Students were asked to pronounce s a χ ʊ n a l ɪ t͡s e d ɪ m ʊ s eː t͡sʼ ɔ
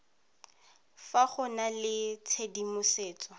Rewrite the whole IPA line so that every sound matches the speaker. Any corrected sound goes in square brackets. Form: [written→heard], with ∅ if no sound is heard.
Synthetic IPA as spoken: [s→f] a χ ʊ n a l ɪ [t͡s→t͡sʰ] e d [ɪ→i] m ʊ s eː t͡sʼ ɔ